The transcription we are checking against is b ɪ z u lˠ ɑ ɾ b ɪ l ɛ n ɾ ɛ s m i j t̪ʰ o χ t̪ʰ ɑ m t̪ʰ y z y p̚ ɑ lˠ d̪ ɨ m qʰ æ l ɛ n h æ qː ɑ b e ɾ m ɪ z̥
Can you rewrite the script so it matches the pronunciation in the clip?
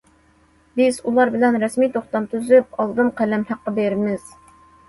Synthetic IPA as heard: b ɪ z u lˠ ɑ ɾ b ɪ l ɛ n ɾ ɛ s m i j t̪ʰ o χ t̪ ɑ m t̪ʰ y z y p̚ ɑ lˠ d̪ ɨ m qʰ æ l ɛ m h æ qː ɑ b e ɾ m ɪ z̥